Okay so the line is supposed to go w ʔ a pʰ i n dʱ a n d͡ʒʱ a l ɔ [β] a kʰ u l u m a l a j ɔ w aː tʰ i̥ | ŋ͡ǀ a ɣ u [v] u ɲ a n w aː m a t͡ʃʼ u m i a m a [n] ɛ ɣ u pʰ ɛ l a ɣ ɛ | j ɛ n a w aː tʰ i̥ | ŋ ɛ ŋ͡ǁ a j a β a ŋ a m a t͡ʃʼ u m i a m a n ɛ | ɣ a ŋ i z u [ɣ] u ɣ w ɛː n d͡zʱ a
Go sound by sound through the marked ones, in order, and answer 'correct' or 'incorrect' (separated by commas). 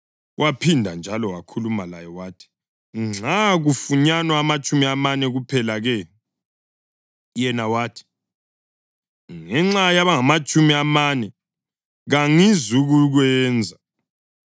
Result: incorrect, incorrect, correct, correct